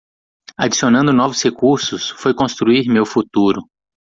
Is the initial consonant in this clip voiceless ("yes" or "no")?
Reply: no